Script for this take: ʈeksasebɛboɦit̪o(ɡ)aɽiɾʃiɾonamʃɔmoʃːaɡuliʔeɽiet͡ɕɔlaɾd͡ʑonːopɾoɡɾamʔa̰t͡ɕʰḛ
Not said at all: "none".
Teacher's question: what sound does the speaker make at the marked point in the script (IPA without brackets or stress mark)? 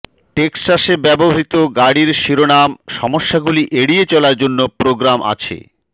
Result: ɡ